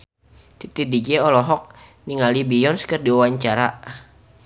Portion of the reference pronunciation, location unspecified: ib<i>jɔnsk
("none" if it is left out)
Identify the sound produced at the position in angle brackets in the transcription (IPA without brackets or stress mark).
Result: i